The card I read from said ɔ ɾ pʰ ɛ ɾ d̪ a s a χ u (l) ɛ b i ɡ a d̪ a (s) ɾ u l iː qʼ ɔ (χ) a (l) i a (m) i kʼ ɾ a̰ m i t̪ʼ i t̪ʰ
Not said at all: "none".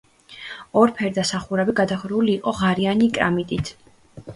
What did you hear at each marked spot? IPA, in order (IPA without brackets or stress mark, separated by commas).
ɾ, χ, ʁ, ɾ, n